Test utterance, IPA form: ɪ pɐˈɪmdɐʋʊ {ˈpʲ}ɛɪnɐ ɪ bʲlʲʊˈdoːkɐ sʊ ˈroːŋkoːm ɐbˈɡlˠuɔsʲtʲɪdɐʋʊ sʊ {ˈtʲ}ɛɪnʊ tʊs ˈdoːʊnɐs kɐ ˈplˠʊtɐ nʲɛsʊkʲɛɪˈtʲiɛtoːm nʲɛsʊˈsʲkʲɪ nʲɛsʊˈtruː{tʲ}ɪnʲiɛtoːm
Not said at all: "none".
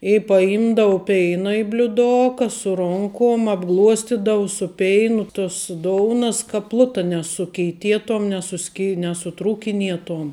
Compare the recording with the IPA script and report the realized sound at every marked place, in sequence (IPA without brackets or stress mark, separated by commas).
pʲ, pʲ, kʲ